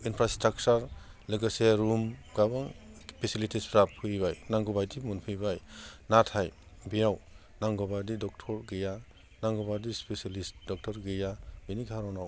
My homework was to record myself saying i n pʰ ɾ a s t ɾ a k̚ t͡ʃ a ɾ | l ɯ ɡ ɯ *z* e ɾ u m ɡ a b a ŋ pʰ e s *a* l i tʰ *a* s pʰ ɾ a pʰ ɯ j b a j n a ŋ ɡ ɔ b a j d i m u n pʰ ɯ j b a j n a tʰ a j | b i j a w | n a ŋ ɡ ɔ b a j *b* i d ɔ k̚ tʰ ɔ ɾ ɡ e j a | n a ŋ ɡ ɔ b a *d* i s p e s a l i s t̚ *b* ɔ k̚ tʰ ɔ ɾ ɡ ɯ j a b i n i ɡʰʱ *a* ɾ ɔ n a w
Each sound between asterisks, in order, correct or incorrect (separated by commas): incorrect, incorrect, incorrect, incorrect, correct, incorrect, correct